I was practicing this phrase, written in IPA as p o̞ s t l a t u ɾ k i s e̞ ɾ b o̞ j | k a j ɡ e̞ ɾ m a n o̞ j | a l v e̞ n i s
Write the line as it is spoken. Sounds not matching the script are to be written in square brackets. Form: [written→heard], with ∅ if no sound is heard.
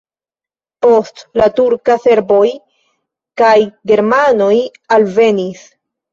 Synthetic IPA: p o̞ s t l a t u ɾ k [i→a] s e̞ ɾ b o̞ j | k a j ɡ e̞ ɾ m a n o̞ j | a l v e̞ n i s